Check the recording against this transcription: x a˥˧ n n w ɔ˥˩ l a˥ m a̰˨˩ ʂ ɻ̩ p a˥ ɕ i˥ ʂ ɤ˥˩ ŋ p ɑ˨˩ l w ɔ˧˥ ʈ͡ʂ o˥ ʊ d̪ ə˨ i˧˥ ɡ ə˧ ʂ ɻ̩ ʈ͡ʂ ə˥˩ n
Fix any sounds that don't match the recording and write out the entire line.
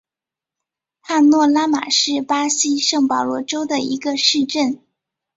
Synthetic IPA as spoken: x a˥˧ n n w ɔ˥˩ l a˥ m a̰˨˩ ʂ ɻ̩ p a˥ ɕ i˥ ʂ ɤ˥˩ ŋ p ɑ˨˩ l w ɔ˥˩ ʈ͡ʂ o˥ ʊ d̪ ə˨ i˧˥ ɡ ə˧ ʂ ɻ̩ ʈ͡ʂ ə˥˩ n